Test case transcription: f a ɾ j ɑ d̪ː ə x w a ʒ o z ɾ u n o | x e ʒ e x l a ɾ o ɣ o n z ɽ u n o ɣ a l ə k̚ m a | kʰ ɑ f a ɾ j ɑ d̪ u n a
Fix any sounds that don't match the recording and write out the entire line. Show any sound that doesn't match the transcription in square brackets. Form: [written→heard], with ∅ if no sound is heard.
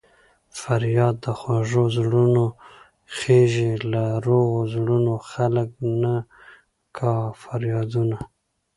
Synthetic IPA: f a ɾ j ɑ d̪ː ə x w a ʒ o z [ɾ→ɽ] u n o | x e ʒ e [x→∅] l a ɾ o ɣ o [n→∅] z ɽ u n o [ɣ→x] a l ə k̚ [m→n] a | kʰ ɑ f a ɾ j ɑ d̪ u n a